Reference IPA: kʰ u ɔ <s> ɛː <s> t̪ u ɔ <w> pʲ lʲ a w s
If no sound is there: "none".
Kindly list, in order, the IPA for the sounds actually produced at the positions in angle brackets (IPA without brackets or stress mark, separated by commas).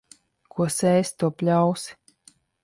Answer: s, s, none